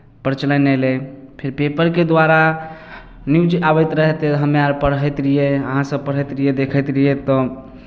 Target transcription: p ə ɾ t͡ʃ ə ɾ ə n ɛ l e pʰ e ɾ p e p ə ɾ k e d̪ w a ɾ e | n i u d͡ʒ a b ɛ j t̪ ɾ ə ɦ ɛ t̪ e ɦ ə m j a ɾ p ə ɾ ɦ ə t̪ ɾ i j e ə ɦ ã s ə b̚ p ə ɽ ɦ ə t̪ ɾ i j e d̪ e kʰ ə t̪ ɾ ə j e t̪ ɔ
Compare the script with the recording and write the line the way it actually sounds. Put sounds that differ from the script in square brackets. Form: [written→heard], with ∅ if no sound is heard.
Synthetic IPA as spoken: p ə ɾ t͡ʃ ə [ɾ→l] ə n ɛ l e pʰ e ɾ p e p ə ɾ k e d̪ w a ɾ [e→a] | n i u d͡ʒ a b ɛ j t̪ ɾ ə ɦ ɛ t̪ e ɦ ə m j a ɾ p ə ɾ ɦ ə t̪ ɾ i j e ə ɦ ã s ə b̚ p ə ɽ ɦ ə t̪ ɾ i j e d̪ e kʰ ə t̪ ɾ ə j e t̪ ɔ